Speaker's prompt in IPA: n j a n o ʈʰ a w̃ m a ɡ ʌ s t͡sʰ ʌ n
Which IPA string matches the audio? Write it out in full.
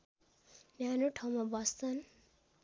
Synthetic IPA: n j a n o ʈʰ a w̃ m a b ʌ s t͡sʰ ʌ n